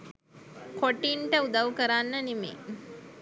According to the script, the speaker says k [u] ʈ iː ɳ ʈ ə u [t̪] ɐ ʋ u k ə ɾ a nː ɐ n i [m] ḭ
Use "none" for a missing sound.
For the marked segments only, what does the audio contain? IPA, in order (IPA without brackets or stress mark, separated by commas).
o, d̪, m